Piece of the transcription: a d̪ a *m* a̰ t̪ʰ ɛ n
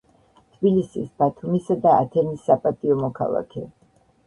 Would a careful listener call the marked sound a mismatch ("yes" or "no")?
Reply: yes